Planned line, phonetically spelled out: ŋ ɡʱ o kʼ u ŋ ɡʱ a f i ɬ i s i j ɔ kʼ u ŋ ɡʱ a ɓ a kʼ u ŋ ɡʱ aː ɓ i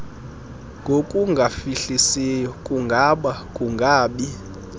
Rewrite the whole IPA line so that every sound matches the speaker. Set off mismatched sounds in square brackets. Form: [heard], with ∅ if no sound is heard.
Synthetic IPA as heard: ŋ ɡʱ o kʼ u ŋ ɡʱ a f i ɬ i s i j ɔ kʼ u ŋ ɡʱ a ɓ a kʼ u ŋ ɡʱ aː ɓ i

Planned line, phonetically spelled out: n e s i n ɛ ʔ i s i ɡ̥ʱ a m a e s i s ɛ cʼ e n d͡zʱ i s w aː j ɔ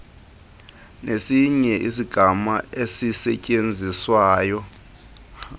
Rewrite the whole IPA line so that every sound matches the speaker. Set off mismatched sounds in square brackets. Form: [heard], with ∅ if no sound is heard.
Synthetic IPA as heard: n e s i [ɲ] ɛ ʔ i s i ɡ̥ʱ a m a e s i s ɛ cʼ e n d͡zʱ i s w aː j ɔ

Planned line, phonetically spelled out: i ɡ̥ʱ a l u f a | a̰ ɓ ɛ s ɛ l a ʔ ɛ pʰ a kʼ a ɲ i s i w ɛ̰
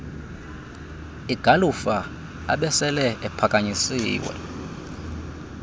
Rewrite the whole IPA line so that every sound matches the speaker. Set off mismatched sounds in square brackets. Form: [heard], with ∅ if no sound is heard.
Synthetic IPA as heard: i ɡ̥ʱ a l u f a | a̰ ɓ ɛ s ɛ l [ɛ] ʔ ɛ pʰ a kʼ a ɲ i s [iː] w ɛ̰

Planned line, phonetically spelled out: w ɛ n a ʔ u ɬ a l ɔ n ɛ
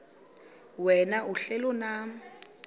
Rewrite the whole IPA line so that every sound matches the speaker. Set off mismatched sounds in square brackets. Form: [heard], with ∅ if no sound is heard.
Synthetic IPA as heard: w ɛ n a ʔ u ɬ [ɛ] l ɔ n [a]

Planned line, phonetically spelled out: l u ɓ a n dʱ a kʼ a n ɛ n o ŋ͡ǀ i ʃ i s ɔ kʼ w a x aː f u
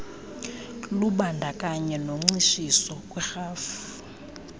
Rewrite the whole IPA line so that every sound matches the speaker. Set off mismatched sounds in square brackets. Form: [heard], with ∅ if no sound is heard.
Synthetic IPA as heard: l u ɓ a n dʱ a kʼ a [ɲ] ɛ n o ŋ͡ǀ i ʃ i s ɔ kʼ w [ɛ] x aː f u

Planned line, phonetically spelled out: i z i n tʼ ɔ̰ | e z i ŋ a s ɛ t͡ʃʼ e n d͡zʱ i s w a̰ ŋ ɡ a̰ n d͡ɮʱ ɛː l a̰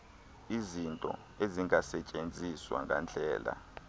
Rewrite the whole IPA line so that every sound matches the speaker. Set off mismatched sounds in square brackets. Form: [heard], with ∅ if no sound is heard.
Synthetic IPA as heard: i z i n tʼ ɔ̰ | e z i ŋ a s ɛ t͡ʃʼ e n d͡zʱ i s w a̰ ŋ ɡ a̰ n d͡ɮʱ ɛː l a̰

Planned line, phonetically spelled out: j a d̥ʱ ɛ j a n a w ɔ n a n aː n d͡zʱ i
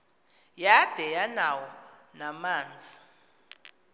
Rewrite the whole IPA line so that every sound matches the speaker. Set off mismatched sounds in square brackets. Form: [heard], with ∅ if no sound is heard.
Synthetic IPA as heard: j a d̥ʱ ɛ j a n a w ɔ n a [m] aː n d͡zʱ i

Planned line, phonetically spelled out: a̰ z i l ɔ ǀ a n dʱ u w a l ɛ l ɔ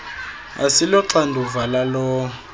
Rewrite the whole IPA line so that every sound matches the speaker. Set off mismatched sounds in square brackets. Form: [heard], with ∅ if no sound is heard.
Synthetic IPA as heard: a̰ [s] i l ɔ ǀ a n dʱ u [v] a l [a] l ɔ

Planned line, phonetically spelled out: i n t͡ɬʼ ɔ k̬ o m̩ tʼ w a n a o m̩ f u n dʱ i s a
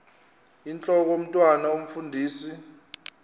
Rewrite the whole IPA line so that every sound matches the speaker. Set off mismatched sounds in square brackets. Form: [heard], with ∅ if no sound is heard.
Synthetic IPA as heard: i n t͡ɬʼ ɔ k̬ o m̩ tʼ w a n a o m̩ f u n dʱ [iː] s [i]

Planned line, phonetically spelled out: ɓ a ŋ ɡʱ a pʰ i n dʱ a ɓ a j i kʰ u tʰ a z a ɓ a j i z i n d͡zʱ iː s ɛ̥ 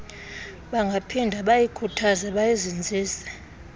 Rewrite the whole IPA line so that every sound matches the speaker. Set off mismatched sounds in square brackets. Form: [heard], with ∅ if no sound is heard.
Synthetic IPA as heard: ɓ a ŋ ɡʱ a pʰ i n dʱ a ɓ a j i kʰ u tʰ a z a ɓ a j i z i n d͡zʱ iː s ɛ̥

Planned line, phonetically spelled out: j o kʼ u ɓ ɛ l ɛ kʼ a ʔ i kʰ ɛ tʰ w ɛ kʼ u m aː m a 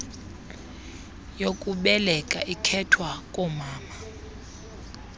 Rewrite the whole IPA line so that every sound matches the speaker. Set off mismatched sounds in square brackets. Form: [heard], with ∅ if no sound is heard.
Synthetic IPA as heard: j o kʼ u ɓ ɛ l ɛ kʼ a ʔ i kʰ ɛ tʰ w [a] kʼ [ɔ] m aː m a

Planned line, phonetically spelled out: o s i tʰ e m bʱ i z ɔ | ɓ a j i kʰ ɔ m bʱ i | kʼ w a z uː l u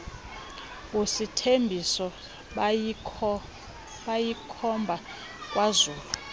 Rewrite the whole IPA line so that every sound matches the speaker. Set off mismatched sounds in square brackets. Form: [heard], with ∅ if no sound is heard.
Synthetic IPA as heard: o s i tʰ e m bʱ i [s] ɔ | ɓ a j i kʰ ɔ m bʱ [a] | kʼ w a z uː l u

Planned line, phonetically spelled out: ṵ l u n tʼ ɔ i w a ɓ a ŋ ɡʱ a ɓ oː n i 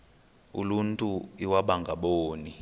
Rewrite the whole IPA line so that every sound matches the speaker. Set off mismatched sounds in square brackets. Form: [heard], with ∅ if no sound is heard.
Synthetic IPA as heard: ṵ l u n tʼ [u] i w a ɓ a ŋ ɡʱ a ɓ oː n i

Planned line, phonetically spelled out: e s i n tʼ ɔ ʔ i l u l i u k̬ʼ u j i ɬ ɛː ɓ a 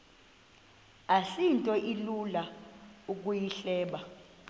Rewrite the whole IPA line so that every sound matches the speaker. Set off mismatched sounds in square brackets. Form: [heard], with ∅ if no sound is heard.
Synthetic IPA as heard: [a] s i n tʼ ɔ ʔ i l u l [a] u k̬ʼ u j i ɬ ɛː ɓ a

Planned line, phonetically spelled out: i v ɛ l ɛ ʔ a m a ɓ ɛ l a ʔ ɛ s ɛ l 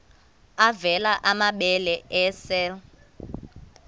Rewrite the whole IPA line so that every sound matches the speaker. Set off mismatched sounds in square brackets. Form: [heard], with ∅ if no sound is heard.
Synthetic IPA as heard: [a] v ɛ l [a] ʔ a m a ɓ ɛ l [ɛ] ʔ ɛ s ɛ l

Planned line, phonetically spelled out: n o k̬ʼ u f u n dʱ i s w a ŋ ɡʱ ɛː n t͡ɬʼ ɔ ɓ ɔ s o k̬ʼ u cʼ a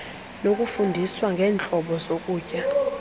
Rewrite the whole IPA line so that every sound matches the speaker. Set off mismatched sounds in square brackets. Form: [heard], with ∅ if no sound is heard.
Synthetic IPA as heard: n o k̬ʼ u f u n dʱ i s w a ŋ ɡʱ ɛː n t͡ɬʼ ɔ ɓ ɔ [z] o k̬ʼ [uː] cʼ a

